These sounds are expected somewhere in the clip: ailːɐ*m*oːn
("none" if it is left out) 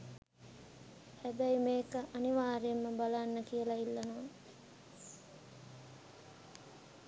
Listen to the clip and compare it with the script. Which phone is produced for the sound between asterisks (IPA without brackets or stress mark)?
n